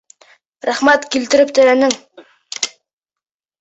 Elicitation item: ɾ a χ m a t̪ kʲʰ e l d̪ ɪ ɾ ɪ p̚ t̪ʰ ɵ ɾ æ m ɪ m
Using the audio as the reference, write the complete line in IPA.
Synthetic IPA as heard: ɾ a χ m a t̪ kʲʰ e l t̪ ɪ ɾ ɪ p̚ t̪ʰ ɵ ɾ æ n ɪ ŋ